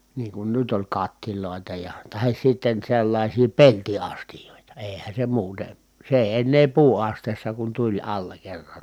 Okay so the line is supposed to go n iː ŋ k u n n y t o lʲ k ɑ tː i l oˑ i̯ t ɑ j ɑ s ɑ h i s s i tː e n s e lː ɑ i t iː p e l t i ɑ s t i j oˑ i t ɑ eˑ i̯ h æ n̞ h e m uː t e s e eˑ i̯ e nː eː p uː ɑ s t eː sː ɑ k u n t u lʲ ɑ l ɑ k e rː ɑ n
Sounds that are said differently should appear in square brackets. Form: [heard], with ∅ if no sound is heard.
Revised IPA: n iː ŋ k u n n y t o lʲ k ɑ tː i l oˑ i̯ t ɑ j ɑ [t] ɑ h i s s i tː e n s e lː ɑ i [s] iː p e l t i ɑ s t i j oˑ i t ɑ eˑ i̯ h æ n̞ [s] e m uː t e s e eˑ i̯ e nː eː p uː ɑ s t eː sː ɑ k u n t u lʲ ɑ [lː] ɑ k e rː ɑ n